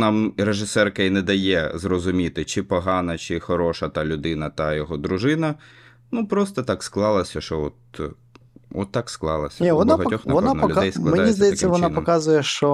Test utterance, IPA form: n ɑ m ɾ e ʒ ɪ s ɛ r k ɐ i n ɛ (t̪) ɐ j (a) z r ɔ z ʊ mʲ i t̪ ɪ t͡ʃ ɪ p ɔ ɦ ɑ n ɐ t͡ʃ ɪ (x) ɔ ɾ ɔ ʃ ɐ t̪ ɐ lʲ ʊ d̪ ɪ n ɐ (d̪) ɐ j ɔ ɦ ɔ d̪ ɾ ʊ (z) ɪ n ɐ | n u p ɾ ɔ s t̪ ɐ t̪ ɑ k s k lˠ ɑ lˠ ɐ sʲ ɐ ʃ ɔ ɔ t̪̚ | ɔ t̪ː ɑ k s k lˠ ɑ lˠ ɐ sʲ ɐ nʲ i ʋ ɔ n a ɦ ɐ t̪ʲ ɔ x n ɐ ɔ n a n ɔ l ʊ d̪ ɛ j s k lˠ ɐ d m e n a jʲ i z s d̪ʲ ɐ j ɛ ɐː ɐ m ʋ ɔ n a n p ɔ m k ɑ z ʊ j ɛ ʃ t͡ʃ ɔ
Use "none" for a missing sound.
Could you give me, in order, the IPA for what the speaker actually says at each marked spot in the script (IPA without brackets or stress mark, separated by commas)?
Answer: d̪, ɛ, x, t̪, ʒ